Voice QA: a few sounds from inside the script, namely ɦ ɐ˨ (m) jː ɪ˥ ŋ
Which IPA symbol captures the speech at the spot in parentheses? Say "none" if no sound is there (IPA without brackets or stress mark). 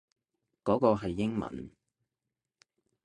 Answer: none